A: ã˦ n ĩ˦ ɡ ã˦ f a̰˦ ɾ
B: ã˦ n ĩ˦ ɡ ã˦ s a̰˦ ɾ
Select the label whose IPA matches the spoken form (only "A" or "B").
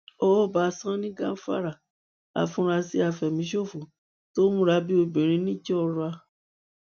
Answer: A